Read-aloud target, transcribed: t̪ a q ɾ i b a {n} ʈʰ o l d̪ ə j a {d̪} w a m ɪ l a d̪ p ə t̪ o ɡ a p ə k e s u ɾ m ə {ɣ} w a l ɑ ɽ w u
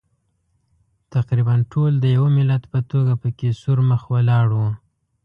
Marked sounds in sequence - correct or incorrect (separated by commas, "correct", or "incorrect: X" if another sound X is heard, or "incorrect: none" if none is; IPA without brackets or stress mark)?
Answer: correct, incorrect: none, incorrect: x